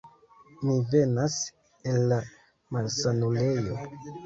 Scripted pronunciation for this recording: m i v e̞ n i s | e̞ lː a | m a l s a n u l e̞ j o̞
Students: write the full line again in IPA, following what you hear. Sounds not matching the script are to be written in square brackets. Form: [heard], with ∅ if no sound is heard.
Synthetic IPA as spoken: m i v e̞ n [a] s | e̞ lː a | m a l s a n u l e̞ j o̞